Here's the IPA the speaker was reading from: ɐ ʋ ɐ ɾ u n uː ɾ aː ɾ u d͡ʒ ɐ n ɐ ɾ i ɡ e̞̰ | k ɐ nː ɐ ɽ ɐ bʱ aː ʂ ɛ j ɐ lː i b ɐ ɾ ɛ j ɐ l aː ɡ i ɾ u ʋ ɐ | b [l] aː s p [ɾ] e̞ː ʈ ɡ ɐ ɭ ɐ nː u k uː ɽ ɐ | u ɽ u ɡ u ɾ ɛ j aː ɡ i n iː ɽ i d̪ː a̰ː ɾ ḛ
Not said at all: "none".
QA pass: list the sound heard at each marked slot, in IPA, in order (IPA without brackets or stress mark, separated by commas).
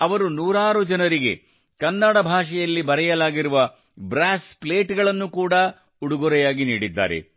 ɾ, l